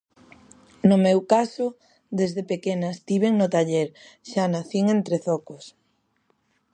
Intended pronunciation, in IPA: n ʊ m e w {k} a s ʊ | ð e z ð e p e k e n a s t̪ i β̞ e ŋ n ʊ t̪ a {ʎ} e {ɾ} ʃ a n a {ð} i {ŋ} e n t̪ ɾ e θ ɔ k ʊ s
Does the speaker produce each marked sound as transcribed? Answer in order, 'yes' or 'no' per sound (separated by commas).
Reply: yes, yes, yes, no, yes